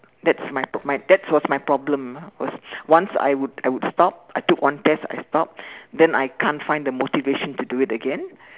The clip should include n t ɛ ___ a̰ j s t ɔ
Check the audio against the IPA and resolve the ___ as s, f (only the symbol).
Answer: s